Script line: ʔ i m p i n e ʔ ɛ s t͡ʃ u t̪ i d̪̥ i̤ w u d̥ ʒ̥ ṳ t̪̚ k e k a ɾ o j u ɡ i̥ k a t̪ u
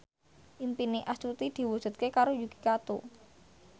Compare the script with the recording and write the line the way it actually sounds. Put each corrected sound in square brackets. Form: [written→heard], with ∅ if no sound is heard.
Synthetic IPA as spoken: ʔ i m p i n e ʔ [ɛ→a] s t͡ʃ u t̪ i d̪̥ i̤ w u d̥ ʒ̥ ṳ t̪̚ k e k a ɾ o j u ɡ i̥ k a t̪ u